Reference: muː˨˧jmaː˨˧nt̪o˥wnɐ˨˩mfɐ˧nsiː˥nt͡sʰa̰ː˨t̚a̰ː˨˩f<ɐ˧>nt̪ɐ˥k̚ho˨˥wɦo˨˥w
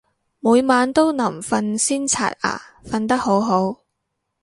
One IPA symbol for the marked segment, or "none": ɐ˧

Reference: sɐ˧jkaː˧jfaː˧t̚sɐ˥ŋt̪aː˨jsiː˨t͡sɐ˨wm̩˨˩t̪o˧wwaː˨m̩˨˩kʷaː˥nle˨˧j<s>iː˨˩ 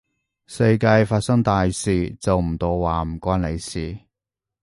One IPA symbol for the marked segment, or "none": s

